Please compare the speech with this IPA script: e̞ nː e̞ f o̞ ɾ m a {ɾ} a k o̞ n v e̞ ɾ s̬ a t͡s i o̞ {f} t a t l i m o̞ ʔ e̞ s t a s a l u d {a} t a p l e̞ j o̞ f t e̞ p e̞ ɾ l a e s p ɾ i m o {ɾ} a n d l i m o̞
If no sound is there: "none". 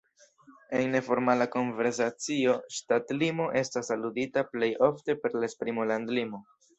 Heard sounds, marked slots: l, ʃ, i, l

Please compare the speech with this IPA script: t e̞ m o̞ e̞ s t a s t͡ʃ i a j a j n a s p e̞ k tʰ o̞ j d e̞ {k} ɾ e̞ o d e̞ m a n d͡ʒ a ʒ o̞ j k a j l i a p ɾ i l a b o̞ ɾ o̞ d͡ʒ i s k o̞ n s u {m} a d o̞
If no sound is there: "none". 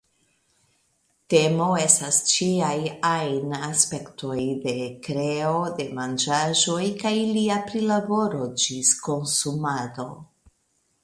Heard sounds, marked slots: k, m

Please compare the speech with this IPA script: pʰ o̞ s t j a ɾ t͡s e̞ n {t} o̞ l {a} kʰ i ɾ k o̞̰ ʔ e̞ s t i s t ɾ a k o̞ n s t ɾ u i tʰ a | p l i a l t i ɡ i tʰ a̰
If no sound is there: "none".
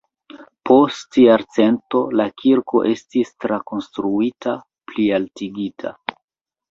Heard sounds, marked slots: t, a

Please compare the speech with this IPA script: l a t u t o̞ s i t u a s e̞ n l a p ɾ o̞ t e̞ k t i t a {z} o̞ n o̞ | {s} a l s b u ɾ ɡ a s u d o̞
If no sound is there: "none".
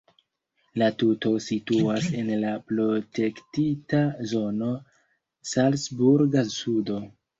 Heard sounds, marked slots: z, s

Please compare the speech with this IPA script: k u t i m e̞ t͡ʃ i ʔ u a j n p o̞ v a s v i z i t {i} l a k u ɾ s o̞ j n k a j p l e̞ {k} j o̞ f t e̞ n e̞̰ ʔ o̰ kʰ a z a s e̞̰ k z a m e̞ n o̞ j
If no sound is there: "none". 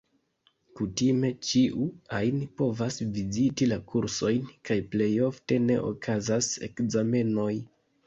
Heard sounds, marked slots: i, none

